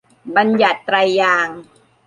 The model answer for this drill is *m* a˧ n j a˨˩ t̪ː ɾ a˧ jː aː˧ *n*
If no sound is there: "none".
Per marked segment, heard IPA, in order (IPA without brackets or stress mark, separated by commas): b, ŋ